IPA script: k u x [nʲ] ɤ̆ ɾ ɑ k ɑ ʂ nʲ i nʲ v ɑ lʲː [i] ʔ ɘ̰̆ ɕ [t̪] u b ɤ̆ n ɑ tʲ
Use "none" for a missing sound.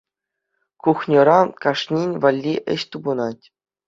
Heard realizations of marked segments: nʲ, i, t̪

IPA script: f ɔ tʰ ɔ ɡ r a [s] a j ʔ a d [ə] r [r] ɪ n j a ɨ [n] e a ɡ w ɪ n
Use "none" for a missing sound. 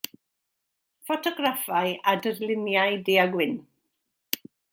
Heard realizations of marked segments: f, ə, l, d

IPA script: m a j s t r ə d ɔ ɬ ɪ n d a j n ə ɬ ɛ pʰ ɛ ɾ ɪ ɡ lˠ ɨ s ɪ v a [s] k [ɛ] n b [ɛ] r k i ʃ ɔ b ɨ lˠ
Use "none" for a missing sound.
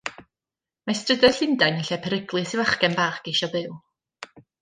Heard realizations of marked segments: χ, ɛ, a

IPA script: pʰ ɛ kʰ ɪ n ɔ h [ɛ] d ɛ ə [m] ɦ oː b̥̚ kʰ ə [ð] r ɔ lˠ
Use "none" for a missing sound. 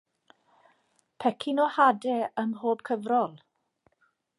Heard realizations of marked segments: a, m, v

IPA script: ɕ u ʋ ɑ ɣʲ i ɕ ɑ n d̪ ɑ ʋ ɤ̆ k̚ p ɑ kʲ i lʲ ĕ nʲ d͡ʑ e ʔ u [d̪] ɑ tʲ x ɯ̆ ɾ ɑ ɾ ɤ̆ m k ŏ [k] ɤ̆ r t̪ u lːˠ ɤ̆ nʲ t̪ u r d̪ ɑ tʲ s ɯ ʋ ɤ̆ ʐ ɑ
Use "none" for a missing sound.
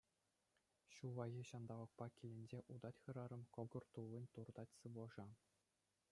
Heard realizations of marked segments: d̪, ɡ

